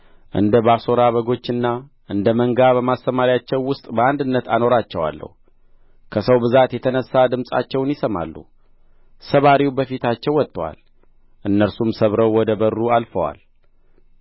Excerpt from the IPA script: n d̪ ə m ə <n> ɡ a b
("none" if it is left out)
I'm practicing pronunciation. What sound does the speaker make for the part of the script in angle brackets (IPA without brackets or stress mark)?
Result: ŋ